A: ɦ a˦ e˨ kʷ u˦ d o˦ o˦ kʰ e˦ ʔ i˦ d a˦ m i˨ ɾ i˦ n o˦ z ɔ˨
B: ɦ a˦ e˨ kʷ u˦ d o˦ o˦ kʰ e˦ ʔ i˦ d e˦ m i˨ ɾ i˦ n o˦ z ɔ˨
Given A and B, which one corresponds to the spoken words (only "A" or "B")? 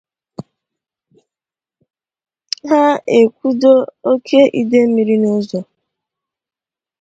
B